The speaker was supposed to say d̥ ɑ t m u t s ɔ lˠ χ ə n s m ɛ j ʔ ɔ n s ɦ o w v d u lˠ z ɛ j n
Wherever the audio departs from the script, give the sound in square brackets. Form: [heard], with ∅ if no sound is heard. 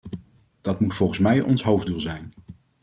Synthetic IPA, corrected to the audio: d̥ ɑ t m u t [f] ɔ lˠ χ ə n s m ɛ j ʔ ɔ n s ɦ o w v d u lˠ z ɛ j n